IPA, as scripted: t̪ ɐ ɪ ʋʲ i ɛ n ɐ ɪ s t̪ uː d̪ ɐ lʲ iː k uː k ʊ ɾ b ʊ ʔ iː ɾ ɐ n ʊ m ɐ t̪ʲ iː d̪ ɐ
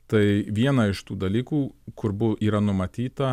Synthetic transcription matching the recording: t̪ ɐ ɪ ʋʲ i ɛ n ɐ ɪ ʃ t̪ uː d̪ ɐ lʲ iː k uː k ʊ ɾ b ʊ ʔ iː ɾ ɐ n ʊ m ɐ t̪ʲ iː t̪ ɐ